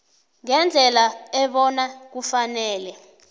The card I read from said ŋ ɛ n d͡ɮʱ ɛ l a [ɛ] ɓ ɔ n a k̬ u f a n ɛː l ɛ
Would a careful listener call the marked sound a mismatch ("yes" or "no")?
no